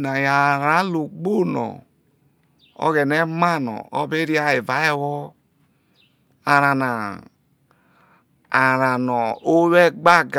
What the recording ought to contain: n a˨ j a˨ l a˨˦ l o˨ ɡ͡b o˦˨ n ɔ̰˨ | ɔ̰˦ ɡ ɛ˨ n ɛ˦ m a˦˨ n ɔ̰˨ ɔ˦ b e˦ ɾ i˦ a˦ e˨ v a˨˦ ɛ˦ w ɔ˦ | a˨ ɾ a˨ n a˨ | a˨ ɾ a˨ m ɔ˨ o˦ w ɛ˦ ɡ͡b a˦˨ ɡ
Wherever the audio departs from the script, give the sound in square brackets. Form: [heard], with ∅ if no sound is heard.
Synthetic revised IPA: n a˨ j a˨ [ɾ] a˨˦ l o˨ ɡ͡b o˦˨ n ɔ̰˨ | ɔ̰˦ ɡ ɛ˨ n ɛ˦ m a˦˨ n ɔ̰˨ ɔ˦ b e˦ ɾ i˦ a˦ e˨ v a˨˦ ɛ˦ w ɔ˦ | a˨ ɾ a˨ n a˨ | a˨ ɾ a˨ [n] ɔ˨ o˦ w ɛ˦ ɡ͡b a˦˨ ɡ